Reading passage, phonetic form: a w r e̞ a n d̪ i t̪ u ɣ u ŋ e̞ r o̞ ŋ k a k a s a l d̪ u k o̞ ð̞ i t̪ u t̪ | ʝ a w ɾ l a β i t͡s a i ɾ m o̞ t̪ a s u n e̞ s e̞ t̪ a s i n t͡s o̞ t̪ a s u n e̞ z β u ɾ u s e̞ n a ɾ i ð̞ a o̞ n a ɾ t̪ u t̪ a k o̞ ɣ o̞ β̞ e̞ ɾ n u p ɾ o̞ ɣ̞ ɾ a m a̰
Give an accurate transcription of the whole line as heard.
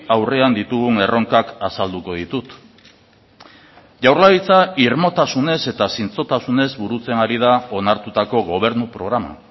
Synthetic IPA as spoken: a w r e̞ a n d̪ i t̪ u ɣ u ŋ e̞ r o̞ ŋ k a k a s a l d̪ u k o̞ ð̞ i t̪ u t̪ | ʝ a w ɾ l a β i t͡s a i ɾ m o̞ t̪ a s u n e̞ s e̞ t̪ a s i n t͡s o̞ t̪ a s u n e̞ z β u ɾ u t͡s e̞ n a ɾ i ð̞ a o̞ n a ɾ t̪ u t̪ a k o̞ ɣ o̞ β̞ e̞ ɾ n u p ɾ o̞ ɣ̞ ɾ a m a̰